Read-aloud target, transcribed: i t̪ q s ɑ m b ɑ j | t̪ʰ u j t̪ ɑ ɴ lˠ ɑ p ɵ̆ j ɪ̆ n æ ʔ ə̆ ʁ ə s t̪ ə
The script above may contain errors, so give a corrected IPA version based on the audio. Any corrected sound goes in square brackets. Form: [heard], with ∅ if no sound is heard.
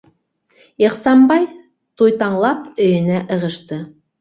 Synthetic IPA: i [∅] q s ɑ m b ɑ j | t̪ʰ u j t̪ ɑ ɴ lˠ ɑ p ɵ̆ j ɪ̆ n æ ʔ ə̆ ʁ ə [ʃ] t̪ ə

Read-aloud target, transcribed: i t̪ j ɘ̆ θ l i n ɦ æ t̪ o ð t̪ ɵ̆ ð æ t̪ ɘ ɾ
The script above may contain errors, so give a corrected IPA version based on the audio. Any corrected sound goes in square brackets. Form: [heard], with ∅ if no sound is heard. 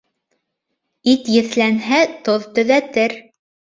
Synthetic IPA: i t̪ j ɘ̆ θ l [æ] n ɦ æ t̪ o ð t̪ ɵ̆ ð æ t̪ ɘ ɾ

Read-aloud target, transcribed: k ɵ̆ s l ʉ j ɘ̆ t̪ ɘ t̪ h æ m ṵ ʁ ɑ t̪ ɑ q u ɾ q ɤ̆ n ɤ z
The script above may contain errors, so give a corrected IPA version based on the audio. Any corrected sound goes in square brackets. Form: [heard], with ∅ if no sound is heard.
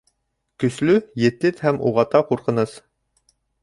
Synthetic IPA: k ɵ̆ s l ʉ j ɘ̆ t̪ ɘ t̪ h æ m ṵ ʁ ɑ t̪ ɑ q u ɾ q ɤ̆ n ɤ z

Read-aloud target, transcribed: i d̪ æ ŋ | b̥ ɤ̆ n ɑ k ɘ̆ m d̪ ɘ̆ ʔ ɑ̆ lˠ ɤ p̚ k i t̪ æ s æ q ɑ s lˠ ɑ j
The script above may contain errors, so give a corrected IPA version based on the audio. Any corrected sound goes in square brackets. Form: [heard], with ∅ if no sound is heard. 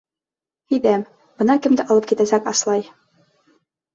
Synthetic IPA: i d̪ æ [m] | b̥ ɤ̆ n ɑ k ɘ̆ m d̪ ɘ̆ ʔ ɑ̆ lˠ ɤ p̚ k i t̪ æ s æ [k] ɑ s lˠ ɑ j

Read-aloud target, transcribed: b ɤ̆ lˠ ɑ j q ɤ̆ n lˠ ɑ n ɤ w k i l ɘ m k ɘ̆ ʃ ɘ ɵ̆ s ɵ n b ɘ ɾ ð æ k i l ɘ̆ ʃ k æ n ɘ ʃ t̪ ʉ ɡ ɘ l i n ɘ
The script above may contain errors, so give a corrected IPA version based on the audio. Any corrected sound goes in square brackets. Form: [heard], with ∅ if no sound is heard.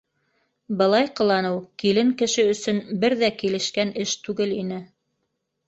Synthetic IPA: b ɤ̆ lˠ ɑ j q ɤ̆ [∅] lˠ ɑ n ɤ w k i l ɘ [ŋ] k ɘ̆ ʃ ɘ ɵ̆ s ɵ n b ɘ ɾ ð æ k i l ɘ̆ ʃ k æ n ɘ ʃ t̪ ʉ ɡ ɘ l i n ɘ

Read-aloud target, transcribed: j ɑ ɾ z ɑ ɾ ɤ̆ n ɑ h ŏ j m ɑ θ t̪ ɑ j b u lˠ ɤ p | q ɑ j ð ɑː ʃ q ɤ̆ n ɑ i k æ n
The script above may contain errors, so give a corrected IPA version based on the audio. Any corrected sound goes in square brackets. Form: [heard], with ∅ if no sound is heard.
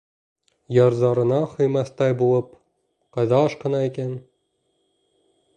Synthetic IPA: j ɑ ɾ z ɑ ɾ ɤ̆ n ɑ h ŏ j m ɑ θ t̪ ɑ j b u lˠ ɤ p | q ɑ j ð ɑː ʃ q ɤ̆ n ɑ i k æ n

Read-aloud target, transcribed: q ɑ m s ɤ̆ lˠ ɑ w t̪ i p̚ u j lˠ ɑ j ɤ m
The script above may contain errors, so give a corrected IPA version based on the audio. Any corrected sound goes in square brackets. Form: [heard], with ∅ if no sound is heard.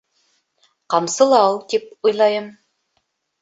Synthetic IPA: q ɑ m s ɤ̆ lˠ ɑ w t̪ i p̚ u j lˠ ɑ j ɤ m

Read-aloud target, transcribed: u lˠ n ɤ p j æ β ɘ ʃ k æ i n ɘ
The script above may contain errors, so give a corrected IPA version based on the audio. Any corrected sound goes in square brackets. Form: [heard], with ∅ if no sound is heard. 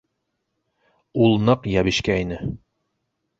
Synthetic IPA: u lˠ n ɤ [q] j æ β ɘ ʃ k æ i n ɘ

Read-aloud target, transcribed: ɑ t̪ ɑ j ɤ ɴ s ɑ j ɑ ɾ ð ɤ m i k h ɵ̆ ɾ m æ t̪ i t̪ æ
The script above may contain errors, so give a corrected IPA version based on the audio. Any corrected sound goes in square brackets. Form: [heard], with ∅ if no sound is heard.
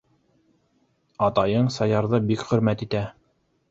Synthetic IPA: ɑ t̪ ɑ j ɤ ɴ s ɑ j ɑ ɾ ð ɤ [b] i k [χ] ɵ̆ ɾ m æ t̪ i t̪ æ

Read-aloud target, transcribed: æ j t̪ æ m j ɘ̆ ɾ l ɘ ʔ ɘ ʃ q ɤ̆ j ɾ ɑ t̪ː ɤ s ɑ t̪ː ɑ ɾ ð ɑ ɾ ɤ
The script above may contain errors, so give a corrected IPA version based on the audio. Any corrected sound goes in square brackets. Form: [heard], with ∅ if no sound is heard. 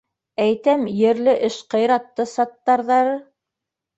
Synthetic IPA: æ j t̪ æ m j ɘ̆ ɾ l ɘ ʔ ɘ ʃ q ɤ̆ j ɾ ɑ t̪ː ɤ s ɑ t̪ː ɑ ɾ ð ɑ ɾ ɤ

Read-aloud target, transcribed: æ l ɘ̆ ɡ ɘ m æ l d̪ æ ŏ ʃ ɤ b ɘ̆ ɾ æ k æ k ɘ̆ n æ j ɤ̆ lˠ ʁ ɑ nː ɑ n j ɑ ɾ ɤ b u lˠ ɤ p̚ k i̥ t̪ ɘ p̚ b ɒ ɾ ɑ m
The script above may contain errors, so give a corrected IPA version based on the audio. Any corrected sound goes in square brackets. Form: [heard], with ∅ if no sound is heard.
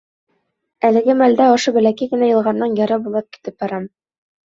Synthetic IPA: æ l ɘ̆ ɡ ɘ m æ l d̪ æ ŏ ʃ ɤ b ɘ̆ [l] æ k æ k ɘ̆ n æ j ɤ̆ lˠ ʁ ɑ nː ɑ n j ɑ ɾ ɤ b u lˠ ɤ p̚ k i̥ t̪ ɘ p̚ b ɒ ɾ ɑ m

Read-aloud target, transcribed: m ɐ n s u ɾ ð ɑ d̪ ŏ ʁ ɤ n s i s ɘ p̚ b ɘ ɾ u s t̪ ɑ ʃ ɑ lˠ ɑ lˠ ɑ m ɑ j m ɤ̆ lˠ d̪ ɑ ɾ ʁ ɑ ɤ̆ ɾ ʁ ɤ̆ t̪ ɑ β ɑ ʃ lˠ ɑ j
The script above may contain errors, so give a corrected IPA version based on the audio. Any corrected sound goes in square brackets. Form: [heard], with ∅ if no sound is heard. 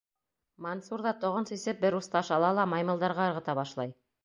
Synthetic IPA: m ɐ n s u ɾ ð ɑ [t̪] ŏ ʁ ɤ n s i s ɘ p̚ b ɘ ɾ u s t̪ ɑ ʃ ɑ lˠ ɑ lˠ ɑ m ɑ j m ɤ̆ lˠ d̪ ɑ ɾ ʁ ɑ ɤ̆ ɾ ʁ ɤ̆ t̪ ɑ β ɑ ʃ lˠ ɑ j

